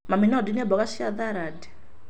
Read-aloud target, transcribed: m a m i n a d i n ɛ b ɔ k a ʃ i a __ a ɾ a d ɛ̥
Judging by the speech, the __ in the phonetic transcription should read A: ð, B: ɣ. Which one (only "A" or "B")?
A